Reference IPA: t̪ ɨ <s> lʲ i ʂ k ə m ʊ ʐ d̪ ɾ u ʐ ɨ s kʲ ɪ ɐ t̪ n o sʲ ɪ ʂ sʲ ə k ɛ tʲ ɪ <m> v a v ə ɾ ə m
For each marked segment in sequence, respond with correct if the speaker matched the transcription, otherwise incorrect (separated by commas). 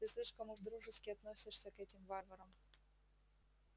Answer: correct, correct